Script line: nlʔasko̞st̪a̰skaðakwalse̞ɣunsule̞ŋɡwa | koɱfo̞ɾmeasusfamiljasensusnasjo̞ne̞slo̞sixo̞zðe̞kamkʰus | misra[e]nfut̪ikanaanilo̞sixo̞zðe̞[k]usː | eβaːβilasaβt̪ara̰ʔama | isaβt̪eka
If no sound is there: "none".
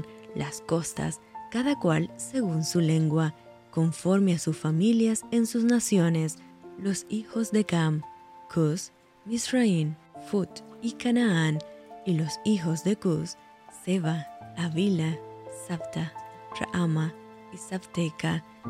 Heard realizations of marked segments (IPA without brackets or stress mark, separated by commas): i, k